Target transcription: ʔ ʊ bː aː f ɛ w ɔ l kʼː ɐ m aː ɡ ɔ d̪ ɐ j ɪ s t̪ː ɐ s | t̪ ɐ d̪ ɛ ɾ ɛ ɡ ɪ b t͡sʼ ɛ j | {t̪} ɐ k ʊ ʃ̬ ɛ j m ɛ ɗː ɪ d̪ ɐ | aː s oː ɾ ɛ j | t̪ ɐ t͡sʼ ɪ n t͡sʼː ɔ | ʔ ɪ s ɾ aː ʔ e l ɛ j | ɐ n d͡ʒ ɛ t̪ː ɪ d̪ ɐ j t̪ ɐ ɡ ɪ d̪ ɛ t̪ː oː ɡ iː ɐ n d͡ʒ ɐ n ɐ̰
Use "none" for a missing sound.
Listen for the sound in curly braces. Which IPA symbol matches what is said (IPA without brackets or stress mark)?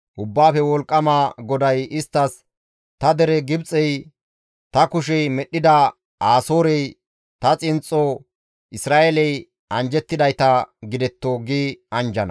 t̪